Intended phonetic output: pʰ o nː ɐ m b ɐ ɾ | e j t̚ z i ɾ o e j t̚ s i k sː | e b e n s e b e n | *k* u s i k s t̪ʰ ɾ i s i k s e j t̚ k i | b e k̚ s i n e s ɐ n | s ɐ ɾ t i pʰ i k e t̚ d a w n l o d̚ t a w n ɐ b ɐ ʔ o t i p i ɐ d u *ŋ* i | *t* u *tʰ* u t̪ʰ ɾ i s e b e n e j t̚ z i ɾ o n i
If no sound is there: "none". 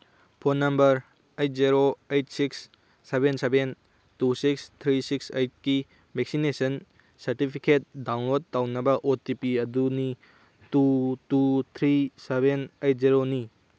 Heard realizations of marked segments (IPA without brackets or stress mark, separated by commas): t, n, t, t